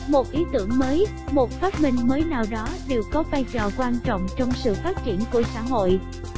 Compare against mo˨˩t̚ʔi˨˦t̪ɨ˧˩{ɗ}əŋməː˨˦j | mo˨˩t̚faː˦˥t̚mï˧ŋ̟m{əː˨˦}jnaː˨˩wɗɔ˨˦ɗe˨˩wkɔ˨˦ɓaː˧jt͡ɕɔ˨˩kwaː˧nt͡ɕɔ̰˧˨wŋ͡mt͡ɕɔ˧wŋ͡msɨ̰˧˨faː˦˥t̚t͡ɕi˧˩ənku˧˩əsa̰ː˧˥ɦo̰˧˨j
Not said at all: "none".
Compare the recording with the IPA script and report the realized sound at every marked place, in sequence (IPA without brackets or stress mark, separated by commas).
none, əː˨˦